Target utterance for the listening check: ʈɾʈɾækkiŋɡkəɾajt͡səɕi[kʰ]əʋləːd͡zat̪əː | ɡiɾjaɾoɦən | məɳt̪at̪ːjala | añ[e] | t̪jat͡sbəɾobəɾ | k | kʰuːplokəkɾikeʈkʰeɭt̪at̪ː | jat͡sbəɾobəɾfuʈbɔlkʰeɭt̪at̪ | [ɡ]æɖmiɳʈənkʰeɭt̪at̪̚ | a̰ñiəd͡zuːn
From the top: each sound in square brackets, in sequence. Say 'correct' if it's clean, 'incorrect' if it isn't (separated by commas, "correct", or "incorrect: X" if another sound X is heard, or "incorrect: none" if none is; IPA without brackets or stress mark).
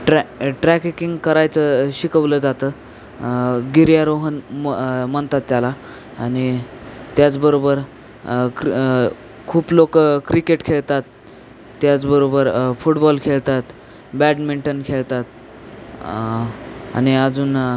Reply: incorrect: k, incorrect: i, incorrect: b